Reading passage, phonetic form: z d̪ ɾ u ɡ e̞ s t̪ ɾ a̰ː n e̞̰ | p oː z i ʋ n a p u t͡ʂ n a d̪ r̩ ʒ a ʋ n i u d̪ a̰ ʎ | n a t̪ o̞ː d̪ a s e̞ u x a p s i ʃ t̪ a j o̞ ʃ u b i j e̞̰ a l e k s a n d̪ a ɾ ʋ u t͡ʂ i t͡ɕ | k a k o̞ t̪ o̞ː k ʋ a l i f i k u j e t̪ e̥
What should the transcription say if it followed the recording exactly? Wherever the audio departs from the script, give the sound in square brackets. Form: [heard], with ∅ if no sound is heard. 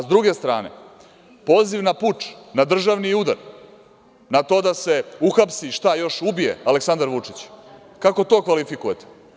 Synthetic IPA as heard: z d̪ ɾ u ɡ e̞ s t̪ ɾ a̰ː n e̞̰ | p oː z i ʋ n a p u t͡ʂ n a d̪ r̩ ʒ a ʋ n i u d̪ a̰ [ɾ] | n a t̪ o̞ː d̪ a s e̞ u x a p s i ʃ t̪ a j o̞ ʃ u b i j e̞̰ a l e k s a n d̪ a ɾ ʋ u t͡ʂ i t͡ɕ | k a k o̞ t̪ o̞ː k ʋ a l i f i k u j e t̪ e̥

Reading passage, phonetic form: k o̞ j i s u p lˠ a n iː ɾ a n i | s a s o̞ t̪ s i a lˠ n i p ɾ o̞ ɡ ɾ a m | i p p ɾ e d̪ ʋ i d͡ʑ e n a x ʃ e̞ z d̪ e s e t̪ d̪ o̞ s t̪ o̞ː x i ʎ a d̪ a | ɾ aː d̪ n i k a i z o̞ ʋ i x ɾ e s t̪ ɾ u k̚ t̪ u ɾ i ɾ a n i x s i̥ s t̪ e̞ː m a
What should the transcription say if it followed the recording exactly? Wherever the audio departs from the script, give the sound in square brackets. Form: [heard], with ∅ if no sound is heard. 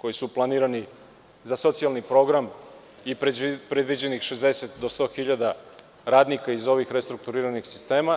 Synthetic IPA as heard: k o̞ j i s u p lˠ a n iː ɾ a n i | [z] a s o̞ t̪ s i a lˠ n i p ɾ o̞ ɡ ɾ a m | i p p ɾ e d̪ ʋ i d͡ʑ e n [i] x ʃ e̞ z d̪ e s e t̪ d̪ o̞ s t̪ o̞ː x i ʎ a d̪ a | ɾ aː d̪ n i k a i z o̞ ʋ i x ɾ e s t̪ ɾ u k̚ t̪ u ɾ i ɾ a n i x s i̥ s t̪ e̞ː m a

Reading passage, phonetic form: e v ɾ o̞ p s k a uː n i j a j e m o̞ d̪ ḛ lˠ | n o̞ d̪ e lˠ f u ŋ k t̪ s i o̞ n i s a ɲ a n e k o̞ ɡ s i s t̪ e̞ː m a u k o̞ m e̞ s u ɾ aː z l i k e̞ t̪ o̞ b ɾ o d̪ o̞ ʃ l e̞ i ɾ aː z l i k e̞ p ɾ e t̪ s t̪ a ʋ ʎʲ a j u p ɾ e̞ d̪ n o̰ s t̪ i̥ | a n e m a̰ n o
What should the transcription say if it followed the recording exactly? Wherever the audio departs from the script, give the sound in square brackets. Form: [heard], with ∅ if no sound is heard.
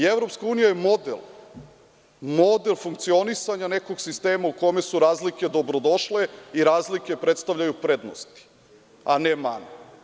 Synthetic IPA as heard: e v ɾ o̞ p s k a uː n i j a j e m o̞ d̪ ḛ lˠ | [m] o̞ d̪ e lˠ f u ŋ k t̪ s i o̞ n i s a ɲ a n e k o̞ ɡ s i s t̪ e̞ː m a u k o̞ m e̞ s u ɾ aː z l i k e̞ [d̪] o̞ b ɾ o d̪ o̞ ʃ l e̞ i ɾ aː z l i k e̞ p ɾ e t̪ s t̪ a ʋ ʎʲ a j u p ɾ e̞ d̪ n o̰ s t̪ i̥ | a n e m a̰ n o

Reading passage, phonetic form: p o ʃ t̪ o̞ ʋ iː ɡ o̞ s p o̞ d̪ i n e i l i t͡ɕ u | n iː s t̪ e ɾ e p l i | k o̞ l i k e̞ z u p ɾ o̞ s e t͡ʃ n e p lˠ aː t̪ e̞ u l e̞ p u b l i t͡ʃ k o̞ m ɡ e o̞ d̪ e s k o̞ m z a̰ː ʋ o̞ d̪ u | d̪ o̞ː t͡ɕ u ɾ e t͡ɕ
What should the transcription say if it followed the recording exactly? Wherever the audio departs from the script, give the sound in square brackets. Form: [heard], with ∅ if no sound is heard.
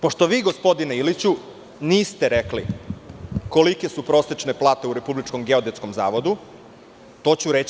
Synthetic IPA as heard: p o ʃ t̪ o̞ ʋ iː ɡ o̞ s p o̞ d̪ i n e i l i t͡ɕ u | n iː s t̪ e ɾ e [k] l i | k o̞ l i k e̞ [s] u p ɾ o̞ s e t͡ʃ n e p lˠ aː t̪ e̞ u [ɾ] e̞ p u b l i t͡ʃ k o̞ m ɡ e o̞ d̪ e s k o̞ m z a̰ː ʋ o̞ d̪ u | [t̪] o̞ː t͡ɕ u ɾ e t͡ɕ

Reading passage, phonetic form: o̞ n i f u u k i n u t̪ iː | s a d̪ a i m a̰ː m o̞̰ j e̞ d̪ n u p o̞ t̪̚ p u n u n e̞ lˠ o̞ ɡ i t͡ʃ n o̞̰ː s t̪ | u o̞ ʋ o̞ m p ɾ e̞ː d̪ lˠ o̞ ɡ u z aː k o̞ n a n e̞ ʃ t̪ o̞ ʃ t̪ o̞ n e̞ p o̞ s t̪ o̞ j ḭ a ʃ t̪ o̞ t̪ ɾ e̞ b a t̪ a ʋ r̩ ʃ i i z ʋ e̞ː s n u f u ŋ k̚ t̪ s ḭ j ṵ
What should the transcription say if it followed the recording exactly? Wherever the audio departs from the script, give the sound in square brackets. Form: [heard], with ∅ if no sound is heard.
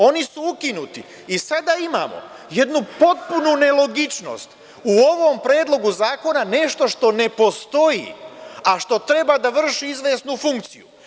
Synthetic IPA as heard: o̞ n i [s] u u k i n u t̪ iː | s a d̪ a i m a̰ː m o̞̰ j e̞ d̪ n u p o̞ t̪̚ p u n u n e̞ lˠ o̞ ɡ i t͡ʃ n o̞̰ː s t̪ | u o̞ ʋ o̞ m p ɾ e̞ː d̪ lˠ o̞ ɡ u z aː k o̞ n a n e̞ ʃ t̪ o̞ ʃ t̪ o̞ n e̞ p o̞ s t̪ o̞ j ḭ a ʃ t̪ o̞ t̪ ɾ e̞ b a [d̪] a ʋ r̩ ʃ i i z ʋ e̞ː s n u f u ŋ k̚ t̪ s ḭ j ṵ

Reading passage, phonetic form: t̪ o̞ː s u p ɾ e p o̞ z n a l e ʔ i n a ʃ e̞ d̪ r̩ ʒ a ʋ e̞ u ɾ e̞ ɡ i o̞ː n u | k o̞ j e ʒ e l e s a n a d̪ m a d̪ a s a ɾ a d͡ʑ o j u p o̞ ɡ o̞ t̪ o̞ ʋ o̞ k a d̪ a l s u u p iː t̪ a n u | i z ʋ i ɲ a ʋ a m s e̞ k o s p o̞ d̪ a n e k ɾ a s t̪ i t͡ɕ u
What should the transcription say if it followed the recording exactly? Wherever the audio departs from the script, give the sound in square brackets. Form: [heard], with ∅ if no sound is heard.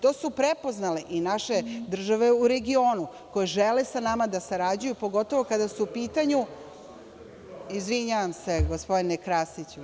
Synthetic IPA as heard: t̪ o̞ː s u p ɾ e p o̞ z n a l e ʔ i n a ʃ e̞ d̪ r̩ ʒ a ʋ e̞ u ɾ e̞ ɡ i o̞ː n u | k o̞ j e ʒ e l e s a n a [∅] m a d̪ a s a ɾ a d͡ʑ [u] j u p o̞ ɡ o̞ t̪ o̞ ʋ o̞ k a d̪ a [∅] s u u p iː t̪ a [ɲ] u | i z ʋ i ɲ a ʋ a m s e̞ [ɡ] o s p o̞ d̪ [i] n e k ɾ a s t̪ i t͡ɕ u

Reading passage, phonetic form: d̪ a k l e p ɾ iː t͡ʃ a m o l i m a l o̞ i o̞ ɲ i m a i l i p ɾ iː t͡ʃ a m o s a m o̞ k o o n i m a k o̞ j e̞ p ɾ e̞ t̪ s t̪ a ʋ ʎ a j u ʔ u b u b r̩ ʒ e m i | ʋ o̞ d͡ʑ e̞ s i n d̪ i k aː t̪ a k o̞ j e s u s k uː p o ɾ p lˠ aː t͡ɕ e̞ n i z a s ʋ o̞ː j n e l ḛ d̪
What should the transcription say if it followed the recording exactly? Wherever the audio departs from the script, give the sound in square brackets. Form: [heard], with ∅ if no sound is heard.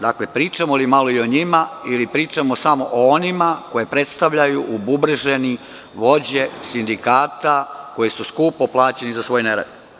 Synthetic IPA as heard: d̪ a k l e p ɾ iː t͡ʃ a m o l i m a l o̞ i o̞ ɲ i m a i l i p ɾ iː t͡ʃ a m o s a m o̞ [ʔ] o o n i m a k o̞ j e̞ p ɾ e̞ t̪ s t̪ a ʋ ʎ a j u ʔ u b u b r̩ ʒ e [n] i | ʋ o̞ d͡ʑ e̞ s i n d̪ i k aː t̪ a k o̞ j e s u s k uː p o [∅] p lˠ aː t͡ɕ e̞ n i z a s ʋ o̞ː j n e [ɾ] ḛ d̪

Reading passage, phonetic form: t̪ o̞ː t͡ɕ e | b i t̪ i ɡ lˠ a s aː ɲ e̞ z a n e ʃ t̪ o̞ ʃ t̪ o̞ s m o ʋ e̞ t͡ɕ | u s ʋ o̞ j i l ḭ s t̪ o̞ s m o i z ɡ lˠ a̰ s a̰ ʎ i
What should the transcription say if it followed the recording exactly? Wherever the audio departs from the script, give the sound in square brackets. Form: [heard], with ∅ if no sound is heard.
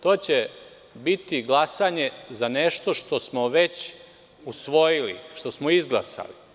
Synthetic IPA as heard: t̪ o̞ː t͡ɕ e | b i t̪ i ɡ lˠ a s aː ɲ e̞ z a n e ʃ t̪ o̞ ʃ t̪ o̞ s m o ʋ e̞ t͡ɕ | u s ʋ o̞ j i l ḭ [ʃ] t̪ o̞ s m o i z ɡ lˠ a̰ s a̰ [l] i

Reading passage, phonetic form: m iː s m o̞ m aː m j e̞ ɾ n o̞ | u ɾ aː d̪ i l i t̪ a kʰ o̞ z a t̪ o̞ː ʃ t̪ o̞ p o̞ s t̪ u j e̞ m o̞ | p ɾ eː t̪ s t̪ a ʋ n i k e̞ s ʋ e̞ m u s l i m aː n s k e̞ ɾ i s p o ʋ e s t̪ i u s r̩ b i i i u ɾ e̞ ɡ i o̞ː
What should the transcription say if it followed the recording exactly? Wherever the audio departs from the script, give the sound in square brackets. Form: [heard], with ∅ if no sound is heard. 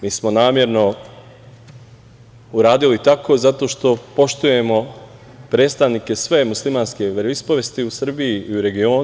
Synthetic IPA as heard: m iː s m o̞ [n] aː m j e̞ ɾ n o̞ | u ɾ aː d̪ i l i t̪ a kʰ o̞ z a t̪ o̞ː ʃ t̪ o̞ p o̞ [ʃ] t̪ u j e̞ m o̞ | p ɾ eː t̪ s t̪ a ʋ n i k e̞ s ʋ e̞ m u s l i m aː n s k e̞ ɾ i s p o ʋ e s t̪ i u s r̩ b i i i u ɾ e̞ ɡ i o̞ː

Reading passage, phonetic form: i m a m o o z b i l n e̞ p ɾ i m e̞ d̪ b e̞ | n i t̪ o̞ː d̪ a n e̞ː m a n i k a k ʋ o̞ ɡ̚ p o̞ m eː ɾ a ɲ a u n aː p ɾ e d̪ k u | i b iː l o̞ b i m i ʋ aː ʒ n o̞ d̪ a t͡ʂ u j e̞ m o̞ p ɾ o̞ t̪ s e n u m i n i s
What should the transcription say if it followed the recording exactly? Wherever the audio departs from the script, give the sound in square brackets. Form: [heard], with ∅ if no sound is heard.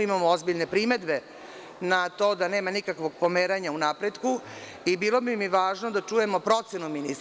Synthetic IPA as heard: i m a m o o z b i [ʎ] n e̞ p ɾ i m e̞ d̪ b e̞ | n [a] t̪ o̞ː d̪ a n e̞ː m a n i k a k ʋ o̞ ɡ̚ p o̞ m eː ɾ a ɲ a u n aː p ɾ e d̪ k u | i b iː l o̞ b i m i ʋ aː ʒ n o̞ d̪ a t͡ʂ u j e̞ m o̞ p ɾ o̞ t̪ s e n u m i n i s

